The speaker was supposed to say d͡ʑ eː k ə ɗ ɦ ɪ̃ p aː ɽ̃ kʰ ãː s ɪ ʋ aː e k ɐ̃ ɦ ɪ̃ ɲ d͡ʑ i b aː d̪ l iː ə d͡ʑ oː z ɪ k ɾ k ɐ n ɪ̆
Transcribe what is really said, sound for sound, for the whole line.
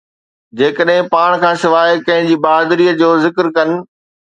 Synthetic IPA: d͡ʑ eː k ə ɗ ɦ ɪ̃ p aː ɽ̃ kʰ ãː s ɪ ʋ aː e k ɐ̃ ɦ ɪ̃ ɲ d͡ʑ iː b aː d̪ ɾ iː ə d͡ʑ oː z ɪ k ɾ k ɐ n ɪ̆